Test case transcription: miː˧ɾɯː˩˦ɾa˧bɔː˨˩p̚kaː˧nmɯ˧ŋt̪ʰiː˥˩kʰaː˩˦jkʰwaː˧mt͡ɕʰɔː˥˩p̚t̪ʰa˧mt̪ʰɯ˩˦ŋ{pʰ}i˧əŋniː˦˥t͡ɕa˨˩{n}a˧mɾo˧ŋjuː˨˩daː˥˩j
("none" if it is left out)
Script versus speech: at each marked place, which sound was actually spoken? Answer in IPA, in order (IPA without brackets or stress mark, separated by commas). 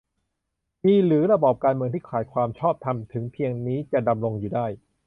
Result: pʰ, d